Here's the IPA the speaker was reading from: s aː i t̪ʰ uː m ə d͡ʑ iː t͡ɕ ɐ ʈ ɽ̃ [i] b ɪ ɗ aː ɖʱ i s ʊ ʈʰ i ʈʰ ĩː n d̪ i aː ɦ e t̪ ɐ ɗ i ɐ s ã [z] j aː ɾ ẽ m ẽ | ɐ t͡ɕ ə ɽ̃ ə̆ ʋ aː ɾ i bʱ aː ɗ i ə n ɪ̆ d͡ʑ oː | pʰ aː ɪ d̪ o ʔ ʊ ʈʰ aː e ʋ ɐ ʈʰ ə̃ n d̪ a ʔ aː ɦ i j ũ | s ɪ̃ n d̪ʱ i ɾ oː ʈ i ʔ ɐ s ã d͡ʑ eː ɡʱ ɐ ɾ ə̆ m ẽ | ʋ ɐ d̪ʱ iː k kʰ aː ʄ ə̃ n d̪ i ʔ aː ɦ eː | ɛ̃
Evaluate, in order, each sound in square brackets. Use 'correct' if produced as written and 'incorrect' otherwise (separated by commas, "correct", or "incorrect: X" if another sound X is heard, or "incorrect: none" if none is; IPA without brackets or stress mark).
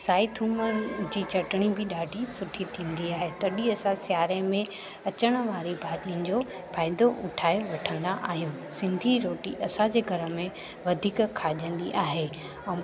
correct, incorrect: s